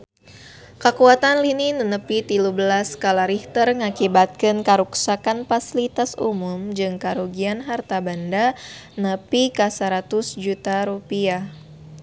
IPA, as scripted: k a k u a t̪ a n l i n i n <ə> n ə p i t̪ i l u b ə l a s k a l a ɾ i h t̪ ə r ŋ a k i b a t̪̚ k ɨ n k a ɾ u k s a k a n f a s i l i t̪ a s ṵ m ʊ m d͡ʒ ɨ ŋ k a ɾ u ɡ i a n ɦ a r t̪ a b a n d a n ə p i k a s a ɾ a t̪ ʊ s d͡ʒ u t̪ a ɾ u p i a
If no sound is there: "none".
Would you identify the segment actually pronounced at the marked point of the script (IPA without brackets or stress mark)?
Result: ə